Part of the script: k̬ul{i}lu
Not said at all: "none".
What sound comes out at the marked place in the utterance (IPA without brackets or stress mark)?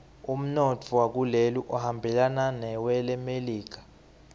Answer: e